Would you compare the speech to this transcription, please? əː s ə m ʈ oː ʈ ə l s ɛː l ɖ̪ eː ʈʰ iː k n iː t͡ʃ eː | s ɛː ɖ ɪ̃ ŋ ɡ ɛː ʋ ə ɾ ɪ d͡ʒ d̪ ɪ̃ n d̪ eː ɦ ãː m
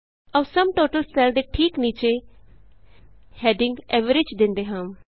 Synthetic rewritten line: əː s ə m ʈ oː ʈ ə l s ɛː l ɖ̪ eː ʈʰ iː k n iː t͡ʃ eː | h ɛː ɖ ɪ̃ ŋ ɡ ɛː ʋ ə ɾ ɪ d͡ʒ d̪ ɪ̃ n d̪ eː ɦ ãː m